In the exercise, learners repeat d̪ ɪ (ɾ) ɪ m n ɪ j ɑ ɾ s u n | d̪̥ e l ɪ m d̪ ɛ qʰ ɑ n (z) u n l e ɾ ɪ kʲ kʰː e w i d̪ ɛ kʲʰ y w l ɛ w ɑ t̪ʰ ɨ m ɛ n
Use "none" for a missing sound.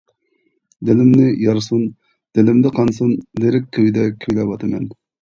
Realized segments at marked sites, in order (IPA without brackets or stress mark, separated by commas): l, s